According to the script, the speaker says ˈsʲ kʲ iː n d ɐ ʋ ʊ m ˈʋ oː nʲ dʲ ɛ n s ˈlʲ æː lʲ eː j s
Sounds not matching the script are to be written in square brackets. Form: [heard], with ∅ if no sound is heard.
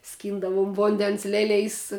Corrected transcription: ˈsʲ kʲ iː n d ɐ ʋ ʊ m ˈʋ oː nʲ dʲ ɛ n s ˈlʲ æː lʲ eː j s